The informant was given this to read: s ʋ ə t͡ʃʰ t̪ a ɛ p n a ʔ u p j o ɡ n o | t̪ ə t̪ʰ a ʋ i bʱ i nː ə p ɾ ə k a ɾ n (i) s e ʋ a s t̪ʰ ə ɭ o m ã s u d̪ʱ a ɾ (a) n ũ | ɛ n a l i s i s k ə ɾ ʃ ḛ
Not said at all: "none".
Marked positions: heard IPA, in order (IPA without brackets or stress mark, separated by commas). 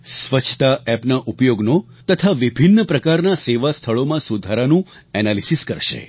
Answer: a, a